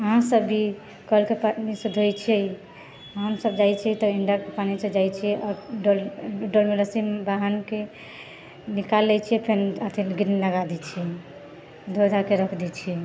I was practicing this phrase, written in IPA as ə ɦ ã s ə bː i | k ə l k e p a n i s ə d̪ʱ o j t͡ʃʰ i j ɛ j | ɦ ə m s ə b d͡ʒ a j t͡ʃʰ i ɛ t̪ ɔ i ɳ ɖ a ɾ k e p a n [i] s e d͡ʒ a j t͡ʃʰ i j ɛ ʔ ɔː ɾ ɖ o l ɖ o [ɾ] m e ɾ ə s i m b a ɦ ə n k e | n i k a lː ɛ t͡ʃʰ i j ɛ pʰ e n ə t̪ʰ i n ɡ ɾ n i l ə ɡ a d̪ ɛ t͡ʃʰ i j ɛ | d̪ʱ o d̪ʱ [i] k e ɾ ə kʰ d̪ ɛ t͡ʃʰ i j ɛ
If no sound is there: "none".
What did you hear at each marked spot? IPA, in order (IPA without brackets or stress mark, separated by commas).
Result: i, l, a